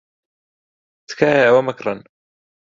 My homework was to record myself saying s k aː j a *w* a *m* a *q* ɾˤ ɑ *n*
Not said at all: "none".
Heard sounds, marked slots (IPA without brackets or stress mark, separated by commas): w, m, k, n